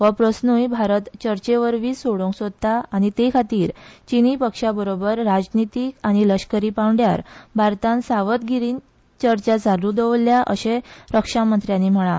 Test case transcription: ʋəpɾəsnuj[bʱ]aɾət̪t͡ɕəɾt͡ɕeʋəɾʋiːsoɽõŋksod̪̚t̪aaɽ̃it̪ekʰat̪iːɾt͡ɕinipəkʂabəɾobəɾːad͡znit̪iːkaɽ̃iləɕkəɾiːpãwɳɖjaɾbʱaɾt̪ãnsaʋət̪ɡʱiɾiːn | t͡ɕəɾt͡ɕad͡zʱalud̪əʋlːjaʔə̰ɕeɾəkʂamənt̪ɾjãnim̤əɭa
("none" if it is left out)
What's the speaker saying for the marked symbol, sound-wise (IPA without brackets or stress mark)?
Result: bʱ